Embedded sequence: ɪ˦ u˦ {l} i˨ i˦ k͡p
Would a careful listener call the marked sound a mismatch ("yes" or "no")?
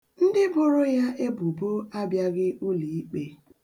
no